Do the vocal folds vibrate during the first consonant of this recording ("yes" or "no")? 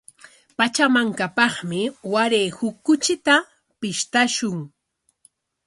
no